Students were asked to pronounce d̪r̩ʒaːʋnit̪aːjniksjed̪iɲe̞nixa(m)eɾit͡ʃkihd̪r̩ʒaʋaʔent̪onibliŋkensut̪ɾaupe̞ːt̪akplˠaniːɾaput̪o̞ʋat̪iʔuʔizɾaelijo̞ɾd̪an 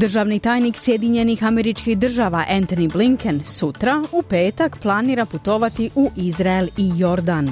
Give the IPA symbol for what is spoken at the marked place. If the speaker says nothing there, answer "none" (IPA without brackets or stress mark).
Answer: m